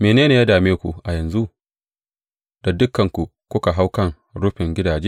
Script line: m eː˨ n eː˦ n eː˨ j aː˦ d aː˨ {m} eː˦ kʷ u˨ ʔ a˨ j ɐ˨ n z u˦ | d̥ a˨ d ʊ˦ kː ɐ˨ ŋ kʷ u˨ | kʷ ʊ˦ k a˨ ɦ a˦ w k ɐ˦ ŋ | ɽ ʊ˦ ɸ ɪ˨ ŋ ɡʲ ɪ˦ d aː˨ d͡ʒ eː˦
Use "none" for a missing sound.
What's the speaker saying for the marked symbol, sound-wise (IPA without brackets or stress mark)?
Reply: m